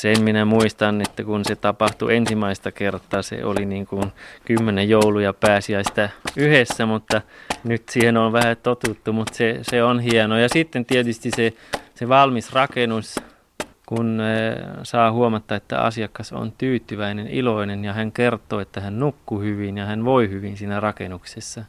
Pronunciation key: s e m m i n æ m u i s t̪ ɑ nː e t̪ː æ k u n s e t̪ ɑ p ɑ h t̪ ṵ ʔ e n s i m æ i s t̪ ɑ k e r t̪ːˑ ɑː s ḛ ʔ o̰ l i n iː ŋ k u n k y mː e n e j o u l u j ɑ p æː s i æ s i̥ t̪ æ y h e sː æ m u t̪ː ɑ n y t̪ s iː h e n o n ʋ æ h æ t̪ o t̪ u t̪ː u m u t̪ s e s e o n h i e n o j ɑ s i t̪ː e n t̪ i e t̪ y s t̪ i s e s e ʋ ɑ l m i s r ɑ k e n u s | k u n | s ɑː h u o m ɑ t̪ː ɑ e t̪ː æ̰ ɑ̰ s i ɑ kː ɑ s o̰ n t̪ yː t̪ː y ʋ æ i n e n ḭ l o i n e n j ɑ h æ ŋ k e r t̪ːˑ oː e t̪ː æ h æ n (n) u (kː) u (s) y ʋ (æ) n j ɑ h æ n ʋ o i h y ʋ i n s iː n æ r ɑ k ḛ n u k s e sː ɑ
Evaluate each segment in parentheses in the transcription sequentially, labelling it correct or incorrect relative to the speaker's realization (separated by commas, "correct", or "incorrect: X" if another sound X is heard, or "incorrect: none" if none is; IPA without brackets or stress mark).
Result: correct, correct, incorrect: h, incorrect: i